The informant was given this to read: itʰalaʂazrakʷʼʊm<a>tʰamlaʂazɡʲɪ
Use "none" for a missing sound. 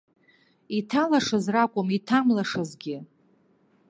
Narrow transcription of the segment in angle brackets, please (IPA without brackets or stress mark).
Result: i